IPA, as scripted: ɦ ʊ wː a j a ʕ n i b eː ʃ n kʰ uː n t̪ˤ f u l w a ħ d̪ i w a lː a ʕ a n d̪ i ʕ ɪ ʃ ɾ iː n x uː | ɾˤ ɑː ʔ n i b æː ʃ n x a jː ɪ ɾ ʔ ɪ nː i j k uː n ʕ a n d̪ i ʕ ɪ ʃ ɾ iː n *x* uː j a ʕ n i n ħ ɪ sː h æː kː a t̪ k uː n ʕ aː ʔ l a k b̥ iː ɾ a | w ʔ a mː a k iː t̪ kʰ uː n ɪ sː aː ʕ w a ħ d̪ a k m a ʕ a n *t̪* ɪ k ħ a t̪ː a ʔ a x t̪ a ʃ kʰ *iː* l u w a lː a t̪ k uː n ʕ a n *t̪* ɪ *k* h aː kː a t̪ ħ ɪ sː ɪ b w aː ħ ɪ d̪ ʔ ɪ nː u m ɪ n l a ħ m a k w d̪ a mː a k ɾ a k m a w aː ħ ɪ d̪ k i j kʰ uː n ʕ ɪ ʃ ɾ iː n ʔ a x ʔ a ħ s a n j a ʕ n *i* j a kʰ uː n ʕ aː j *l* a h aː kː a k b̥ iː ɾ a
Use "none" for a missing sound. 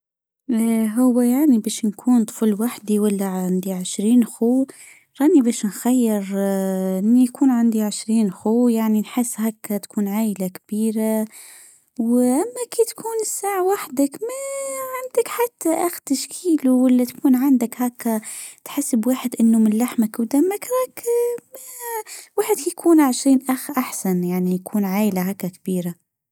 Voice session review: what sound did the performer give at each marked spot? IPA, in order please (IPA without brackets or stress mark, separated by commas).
x, d̪, iː, d̪, k, i, l